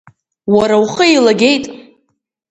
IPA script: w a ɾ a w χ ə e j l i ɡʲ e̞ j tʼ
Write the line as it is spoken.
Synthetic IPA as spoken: w a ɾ a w χ ə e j l a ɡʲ e̞ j tʼ